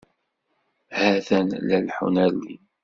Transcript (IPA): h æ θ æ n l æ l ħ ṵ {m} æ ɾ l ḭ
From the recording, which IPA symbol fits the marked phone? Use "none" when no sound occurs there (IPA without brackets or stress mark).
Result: n